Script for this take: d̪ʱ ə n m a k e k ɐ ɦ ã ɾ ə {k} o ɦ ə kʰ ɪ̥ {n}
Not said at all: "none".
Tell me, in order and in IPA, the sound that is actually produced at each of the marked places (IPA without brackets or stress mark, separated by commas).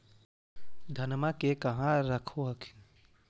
kʰ, n